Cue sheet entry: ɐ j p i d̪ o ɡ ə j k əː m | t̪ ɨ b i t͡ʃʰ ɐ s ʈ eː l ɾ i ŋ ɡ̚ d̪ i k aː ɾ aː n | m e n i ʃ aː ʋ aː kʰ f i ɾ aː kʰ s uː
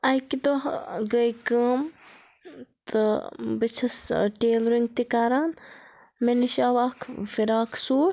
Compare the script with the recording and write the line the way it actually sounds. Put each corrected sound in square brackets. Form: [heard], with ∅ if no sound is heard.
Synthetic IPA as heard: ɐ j [k] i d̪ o ɡ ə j k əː m | t̪ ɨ b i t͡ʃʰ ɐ s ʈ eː l ɾ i ŋ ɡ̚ [t̪] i k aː ɾ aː n | m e n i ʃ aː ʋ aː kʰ f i ɾ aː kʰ s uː